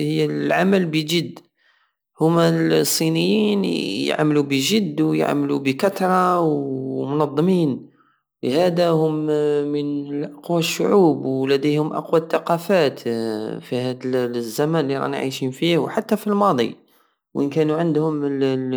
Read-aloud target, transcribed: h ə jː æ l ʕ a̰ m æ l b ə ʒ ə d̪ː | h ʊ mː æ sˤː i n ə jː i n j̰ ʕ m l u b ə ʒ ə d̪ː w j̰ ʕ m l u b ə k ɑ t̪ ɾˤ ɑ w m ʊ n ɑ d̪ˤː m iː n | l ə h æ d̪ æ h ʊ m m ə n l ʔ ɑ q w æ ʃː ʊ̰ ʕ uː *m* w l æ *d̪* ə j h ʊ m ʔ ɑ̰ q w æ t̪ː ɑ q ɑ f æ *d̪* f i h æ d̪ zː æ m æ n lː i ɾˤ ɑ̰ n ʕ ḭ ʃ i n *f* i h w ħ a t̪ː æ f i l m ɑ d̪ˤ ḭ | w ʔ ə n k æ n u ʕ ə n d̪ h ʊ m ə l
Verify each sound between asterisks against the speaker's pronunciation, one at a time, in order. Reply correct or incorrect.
incorrect: b, correct, incorrect: t̪, correct

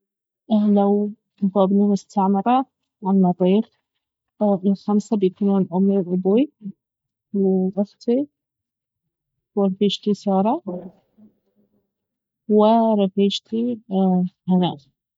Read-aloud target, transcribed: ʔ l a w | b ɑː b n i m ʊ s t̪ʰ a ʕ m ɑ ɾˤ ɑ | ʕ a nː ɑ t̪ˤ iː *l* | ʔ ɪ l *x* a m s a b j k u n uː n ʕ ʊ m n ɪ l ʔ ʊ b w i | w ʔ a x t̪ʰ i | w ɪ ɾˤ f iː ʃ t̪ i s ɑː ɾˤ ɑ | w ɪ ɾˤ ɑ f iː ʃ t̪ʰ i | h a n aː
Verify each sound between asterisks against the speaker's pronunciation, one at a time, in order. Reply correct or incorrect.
incorrect: ɾ, correct

